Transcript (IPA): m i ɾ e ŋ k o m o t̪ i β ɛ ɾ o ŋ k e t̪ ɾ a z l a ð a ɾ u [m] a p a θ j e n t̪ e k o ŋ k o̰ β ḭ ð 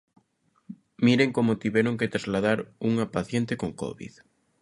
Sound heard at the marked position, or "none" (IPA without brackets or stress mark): ŋ